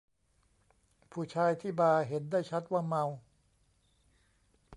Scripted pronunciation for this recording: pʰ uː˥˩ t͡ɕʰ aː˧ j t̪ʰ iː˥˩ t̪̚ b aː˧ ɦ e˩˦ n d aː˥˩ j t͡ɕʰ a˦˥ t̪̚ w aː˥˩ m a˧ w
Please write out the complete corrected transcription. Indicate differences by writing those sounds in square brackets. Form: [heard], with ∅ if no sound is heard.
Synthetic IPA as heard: pʰ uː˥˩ t͡ɕʰ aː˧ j t̪ʰ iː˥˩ [∅] b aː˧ ɦ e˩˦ n d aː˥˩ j t͡ɕʰ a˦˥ t̪̚ w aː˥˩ m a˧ w